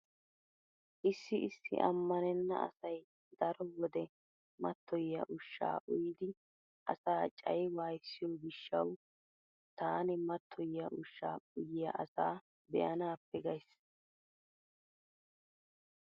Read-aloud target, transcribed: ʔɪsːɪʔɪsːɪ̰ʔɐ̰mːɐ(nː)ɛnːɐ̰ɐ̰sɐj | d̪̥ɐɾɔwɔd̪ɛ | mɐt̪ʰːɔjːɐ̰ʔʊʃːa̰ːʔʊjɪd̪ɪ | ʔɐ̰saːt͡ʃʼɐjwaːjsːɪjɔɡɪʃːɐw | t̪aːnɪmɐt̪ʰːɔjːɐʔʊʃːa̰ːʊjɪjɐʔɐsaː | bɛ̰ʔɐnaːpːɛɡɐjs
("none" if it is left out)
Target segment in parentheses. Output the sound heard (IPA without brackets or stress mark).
n